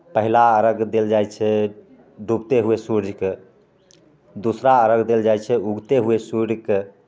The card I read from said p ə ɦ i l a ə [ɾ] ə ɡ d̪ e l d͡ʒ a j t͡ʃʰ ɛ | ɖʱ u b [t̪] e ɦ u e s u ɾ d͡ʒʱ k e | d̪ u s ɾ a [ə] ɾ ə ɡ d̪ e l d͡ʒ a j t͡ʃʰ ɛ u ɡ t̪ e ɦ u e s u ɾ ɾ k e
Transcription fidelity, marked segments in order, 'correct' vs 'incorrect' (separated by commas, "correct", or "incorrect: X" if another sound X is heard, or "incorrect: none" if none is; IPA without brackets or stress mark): correct, correct, correct